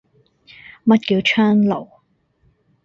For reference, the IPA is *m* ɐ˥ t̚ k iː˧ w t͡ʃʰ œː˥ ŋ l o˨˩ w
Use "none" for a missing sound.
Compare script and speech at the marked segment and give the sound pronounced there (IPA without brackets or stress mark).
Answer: m